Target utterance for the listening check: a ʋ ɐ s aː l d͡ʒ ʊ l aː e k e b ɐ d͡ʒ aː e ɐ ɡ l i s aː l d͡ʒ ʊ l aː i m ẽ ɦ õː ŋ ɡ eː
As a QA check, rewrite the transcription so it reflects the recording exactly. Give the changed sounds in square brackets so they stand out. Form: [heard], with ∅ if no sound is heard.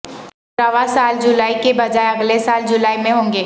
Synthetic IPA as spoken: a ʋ [a] s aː l d͡ʒ ʊ l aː [i] k e b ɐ d͡ʒ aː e ɐ ɡ l [e] s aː l d͡ʒ ʊ l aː i m ẽ ɦ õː ŋ ɡ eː

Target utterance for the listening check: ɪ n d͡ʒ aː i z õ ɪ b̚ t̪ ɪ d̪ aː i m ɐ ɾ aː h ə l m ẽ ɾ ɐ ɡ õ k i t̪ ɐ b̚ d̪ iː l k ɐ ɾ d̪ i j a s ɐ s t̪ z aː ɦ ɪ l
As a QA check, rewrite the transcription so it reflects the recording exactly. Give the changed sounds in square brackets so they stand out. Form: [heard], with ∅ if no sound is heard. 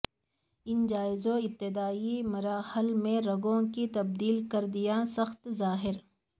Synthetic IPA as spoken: ɪ n d͡ʒ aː [ɪ] z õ ɪ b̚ t̪ ɪ d̪ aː i m ɐ ɾ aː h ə l m ẽ ɾ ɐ ɡ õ k i t̪ ɐ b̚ d̪ iː l k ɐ ɾ d̪ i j a s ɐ [x] t̪ z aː ɦ ɪ [ɾ]

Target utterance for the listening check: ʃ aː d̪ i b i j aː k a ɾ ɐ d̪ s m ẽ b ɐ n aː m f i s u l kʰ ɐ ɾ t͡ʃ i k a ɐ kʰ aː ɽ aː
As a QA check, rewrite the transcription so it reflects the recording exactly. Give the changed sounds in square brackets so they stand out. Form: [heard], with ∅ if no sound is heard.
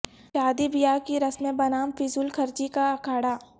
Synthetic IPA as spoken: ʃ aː d̪ i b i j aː k [i] ɾ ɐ [∅] s m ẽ b ɐ n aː m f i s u l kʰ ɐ ɾ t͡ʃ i k a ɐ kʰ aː ɽ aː

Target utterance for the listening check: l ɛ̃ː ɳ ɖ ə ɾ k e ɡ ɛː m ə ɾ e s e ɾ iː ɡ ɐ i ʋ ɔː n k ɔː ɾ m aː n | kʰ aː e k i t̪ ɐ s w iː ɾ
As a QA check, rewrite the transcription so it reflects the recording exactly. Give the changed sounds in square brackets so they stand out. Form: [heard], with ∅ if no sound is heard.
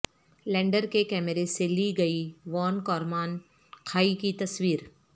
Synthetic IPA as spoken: l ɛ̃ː ɳ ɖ ə ɾ k e [k] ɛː m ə ɾ e s e [l] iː ɡ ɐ i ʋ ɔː n k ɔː ɾ m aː n | kʰ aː [i] k i t̪ ɐ s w iː ɾ

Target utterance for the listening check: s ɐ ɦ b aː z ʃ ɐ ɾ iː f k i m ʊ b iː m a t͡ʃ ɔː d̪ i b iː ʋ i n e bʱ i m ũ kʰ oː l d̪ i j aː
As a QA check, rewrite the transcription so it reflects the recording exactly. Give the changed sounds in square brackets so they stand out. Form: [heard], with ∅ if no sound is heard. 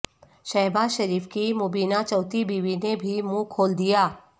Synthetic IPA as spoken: [ʃ] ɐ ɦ b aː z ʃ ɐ ɾ iː f k i m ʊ b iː [n] a t͡ʃ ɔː [t̪] i b iː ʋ i n e bʱ i m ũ kʰ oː l d̪ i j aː

